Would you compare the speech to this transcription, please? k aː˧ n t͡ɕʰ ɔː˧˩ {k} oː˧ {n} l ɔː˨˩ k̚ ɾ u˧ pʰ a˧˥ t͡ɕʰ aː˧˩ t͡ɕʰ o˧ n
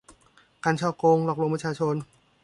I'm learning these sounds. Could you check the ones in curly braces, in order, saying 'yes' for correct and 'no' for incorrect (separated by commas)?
yes, no